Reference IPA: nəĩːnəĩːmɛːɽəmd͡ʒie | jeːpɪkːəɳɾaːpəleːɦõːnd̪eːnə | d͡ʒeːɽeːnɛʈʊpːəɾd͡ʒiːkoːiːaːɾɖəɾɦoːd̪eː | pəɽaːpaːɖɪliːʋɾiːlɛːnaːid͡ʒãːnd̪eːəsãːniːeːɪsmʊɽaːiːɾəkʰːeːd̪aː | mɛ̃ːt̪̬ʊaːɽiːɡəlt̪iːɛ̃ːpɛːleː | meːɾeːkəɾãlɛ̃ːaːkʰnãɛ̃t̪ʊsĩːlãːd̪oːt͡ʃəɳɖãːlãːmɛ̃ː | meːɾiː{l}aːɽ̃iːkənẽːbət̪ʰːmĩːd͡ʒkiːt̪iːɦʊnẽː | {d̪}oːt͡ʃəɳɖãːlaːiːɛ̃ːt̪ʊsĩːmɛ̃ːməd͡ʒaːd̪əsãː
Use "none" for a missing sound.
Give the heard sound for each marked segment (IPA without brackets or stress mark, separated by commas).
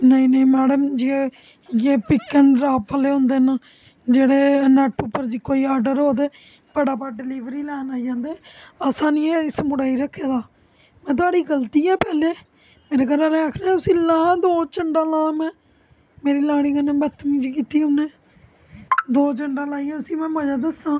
l, d̪